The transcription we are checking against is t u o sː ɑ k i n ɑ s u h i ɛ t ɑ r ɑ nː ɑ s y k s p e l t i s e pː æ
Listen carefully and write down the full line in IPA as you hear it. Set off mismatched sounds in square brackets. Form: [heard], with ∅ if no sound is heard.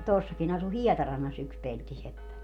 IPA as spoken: t u o sː ɑ k i n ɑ s u h i ɛ t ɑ r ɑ nː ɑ s y k s p e l t i s e pː æ